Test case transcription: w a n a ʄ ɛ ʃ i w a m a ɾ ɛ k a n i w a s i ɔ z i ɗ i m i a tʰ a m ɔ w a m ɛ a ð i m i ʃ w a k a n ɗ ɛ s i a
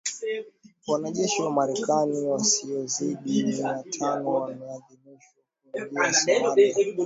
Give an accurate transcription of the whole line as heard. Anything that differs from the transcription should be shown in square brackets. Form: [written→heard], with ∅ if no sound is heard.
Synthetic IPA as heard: w a n a ʄ ɛ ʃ i w a m a ɾ ɛ k a n i w a s i ɔ z i ɗ i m i a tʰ a [m→n] ɔ w a m ɛ a ð i m i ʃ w a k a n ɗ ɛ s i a